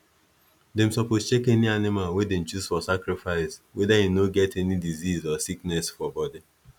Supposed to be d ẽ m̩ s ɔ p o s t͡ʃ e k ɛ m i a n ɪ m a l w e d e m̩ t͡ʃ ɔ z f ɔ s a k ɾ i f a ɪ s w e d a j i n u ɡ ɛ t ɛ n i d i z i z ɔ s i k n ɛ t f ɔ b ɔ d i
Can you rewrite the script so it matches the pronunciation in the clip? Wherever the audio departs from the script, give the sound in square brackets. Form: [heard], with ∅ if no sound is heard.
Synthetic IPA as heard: d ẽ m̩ s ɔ p o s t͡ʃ e k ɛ [n] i a n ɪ m a l w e d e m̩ t͡ʃ [u] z f ɔ s a k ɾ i f a ɪ s w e d a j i n [o] ɡ ɛ t ɛ n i d i z i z ɔ s i k n ɛ [s] f ɔ b ɔ d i